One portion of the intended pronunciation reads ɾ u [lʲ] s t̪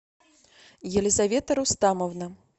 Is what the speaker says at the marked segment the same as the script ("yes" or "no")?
no